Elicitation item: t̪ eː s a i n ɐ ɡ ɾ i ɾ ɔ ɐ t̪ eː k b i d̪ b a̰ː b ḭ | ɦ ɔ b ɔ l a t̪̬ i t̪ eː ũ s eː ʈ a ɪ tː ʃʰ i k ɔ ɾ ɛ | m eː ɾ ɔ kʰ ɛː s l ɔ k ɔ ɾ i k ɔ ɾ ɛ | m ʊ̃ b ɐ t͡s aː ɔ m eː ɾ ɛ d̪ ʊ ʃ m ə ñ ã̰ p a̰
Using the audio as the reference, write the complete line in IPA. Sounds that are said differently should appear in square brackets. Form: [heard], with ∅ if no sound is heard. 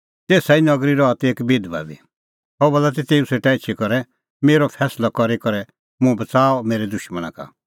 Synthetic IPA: t̪ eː s a i n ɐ ɡ ɾ i ɾ ɔ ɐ t̪ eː k b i d̪ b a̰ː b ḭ | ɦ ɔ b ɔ l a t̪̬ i t̪ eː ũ s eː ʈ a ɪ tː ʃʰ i k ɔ ɾ ɛ | m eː ɾ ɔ [pʰ] ɛː s l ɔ k ɔ ɾ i k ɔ ɾ ɛ | m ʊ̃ b ɐ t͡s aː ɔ m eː ɾ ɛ d̪ ʊ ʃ m ə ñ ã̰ [k] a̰